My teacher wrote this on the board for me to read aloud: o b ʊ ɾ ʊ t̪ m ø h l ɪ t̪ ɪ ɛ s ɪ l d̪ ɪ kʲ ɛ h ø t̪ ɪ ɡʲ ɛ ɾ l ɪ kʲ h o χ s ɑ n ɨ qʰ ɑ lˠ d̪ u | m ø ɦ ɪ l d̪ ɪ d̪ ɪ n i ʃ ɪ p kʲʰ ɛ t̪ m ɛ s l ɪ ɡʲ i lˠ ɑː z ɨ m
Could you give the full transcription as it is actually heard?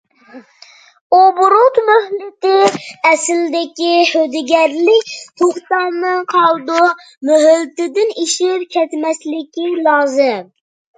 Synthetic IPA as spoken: o b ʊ ɾ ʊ t̪ m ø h l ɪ t̪ ɪ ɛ s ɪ l d̪ ɪ kʲ i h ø d̪ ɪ ɡʲ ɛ ɾ l ɪ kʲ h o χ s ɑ n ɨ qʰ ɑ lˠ d̪ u | m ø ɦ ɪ l t̪ ɪ d̪ ɪ n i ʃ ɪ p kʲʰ ɛ t̪ m ɛ s l ɪ kʲ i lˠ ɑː z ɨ m